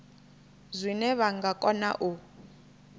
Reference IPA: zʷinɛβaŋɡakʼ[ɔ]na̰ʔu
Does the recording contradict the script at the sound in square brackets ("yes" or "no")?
no